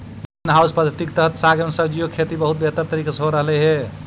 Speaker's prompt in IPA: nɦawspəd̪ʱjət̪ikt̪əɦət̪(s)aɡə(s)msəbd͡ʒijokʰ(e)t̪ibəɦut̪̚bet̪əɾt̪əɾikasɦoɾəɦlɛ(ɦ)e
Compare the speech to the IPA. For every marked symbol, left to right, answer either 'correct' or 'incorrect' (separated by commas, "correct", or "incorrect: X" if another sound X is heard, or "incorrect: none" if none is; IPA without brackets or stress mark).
correct, incorrect: none, correct, correct